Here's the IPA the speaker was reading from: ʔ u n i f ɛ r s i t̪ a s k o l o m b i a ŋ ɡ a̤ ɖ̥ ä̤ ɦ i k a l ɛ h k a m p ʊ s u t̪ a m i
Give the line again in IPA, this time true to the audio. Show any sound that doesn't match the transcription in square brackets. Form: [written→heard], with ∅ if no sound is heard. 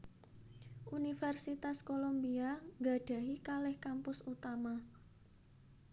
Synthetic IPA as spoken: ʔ u n i f ɛ r s i t̪ a s k o l o m b i a ŋ ɡ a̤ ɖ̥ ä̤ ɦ i k a l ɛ h k a m p ʊ s u t̪ a m [i→a]